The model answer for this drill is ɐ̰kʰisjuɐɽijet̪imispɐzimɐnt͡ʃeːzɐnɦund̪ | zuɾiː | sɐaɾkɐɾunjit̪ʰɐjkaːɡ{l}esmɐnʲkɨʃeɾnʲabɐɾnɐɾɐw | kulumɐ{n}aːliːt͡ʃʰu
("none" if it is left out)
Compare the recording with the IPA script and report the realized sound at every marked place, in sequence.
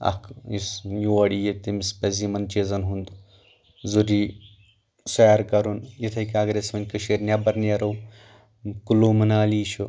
ɾ, n

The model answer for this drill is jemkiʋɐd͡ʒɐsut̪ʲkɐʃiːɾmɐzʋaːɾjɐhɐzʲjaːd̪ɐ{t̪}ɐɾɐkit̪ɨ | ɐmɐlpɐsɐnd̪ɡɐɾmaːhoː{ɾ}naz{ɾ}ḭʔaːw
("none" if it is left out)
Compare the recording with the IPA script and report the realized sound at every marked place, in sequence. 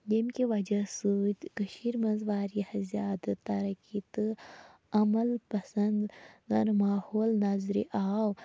t̪, l, ɾ

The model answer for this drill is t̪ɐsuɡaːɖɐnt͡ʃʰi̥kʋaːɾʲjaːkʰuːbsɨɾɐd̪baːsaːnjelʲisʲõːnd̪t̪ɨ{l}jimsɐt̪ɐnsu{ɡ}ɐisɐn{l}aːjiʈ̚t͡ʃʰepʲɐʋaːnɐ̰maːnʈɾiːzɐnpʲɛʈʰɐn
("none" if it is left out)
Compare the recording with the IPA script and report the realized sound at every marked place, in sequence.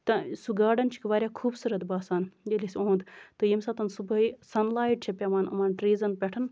none, b, l

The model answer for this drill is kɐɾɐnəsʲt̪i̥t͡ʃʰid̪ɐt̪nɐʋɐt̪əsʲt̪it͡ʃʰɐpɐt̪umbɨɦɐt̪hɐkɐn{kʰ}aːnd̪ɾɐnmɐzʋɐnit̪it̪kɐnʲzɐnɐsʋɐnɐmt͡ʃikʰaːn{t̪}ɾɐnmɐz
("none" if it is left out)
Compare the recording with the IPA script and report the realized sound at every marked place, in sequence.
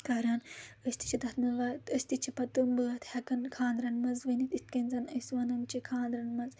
kʰ, d̪

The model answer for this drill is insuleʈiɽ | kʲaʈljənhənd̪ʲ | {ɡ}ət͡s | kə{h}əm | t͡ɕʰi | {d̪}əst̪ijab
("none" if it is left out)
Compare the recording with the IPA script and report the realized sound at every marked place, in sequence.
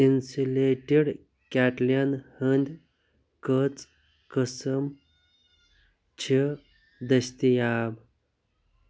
k, s, d̪

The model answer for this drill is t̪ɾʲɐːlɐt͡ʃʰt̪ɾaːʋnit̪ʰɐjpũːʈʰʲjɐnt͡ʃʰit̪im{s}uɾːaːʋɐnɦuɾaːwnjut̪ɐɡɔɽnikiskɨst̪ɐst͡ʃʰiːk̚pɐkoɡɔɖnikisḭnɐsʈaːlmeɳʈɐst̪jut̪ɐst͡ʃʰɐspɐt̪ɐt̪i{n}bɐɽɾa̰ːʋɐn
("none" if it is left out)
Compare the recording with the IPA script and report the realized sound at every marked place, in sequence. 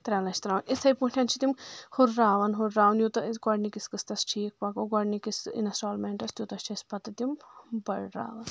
h, m

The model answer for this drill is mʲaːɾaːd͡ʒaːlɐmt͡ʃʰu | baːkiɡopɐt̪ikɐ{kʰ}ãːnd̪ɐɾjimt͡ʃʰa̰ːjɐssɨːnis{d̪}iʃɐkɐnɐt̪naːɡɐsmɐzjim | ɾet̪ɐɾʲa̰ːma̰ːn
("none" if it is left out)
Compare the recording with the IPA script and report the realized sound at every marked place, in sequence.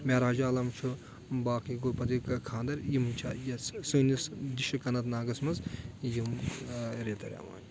kʰ, d̪

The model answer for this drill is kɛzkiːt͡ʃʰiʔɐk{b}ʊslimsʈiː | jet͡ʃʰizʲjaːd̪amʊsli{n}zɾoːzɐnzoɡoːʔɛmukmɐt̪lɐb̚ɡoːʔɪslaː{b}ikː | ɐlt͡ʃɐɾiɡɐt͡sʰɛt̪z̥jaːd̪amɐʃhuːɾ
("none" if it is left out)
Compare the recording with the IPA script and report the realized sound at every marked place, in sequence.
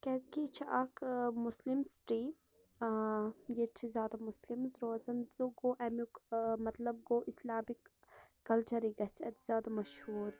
m, m, m

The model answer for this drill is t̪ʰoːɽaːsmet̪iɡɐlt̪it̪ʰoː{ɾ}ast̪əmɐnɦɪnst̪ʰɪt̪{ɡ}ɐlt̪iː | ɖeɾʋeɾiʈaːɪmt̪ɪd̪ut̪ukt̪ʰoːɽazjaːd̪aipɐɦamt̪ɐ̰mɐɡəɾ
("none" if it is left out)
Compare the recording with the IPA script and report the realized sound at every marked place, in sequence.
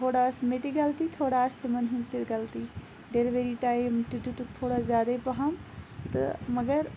ɽ, ɡ

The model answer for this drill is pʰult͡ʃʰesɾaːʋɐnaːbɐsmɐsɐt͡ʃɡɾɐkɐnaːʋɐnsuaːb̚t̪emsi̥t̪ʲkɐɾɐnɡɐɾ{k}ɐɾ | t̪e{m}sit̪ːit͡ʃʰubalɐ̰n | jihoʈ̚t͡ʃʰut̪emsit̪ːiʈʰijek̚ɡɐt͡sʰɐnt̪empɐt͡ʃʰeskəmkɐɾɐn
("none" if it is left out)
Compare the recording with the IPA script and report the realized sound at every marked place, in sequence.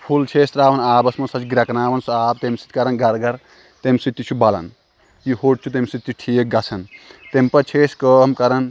ɡ, m

